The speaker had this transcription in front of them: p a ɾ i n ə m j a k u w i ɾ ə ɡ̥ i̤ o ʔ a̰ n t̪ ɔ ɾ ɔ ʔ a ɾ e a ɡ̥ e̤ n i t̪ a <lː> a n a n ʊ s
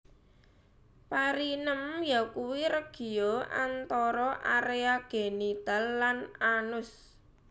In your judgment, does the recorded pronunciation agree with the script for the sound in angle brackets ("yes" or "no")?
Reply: yes